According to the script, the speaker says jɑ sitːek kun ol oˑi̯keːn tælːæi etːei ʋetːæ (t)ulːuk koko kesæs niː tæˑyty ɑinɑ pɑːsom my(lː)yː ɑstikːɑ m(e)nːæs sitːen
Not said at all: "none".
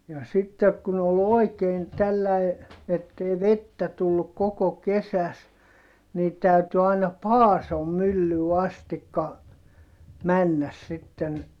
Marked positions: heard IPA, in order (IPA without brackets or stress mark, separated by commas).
t, lː, æ